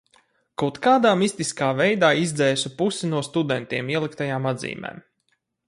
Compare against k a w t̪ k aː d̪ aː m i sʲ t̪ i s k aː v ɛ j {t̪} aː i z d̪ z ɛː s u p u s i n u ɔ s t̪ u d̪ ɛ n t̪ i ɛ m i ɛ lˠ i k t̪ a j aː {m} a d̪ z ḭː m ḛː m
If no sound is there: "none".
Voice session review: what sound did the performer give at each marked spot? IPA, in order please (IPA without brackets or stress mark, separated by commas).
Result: d̪, m